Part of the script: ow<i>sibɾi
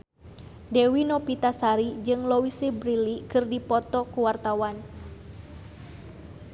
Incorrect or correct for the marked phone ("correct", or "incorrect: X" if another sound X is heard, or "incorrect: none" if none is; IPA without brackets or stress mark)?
correct